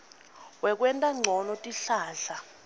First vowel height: mid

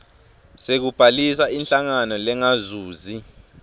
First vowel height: mid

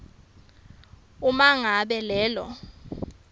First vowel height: high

